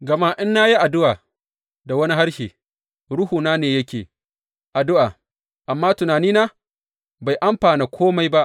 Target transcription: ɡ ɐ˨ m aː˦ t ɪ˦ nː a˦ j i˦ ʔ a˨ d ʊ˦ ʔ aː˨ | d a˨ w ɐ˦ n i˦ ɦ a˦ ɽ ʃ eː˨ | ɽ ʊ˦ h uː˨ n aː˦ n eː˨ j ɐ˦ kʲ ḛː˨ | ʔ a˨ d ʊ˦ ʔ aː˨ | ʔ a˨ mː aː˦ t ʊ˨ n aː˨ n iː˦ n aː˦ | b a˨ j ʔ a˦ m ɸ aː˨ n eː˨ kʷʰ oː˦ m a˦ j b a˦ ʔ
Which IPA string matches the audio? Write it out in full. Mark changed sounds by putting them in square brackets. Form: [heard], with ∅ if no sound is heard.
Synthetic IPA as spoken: ɡ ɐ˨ m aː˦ [ʔ] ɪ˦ nː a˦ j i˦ ʔ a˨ d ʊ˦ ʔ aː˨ | d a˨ w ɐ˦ n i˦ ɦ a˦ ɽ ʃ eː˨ | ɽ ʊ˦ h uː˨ n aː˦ n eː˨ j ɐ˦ kʲ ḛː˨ | ʔ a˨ d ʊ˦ ʔ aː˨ | ʔ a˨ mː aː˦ t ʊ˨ n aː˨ n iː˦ n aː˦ | b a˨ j ʔ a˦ m ɸ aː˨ n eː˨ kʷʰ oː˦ m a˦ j b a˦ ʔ